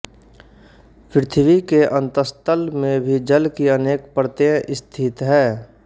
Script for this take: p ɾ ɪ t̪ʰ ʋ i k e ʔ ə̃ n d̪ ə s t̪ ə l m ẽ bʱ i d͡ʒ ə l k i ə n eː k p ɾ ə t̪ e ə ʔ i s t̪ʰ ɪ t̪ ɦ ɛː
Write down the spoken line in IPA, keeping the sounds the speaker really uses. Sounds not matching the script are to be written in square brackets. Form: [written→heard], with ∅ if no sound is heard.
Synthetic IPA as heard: p ɾ ɪ t̪ʰ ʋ i k e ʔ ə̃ n [d̪→t̪] ə s t̪ ə l m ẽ bʱ i d͡ʒ ə l k i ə n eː k p ɾ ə t̪ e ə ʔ [i→ɪ] s t̪ʰ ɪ t̪ ɦ ɛː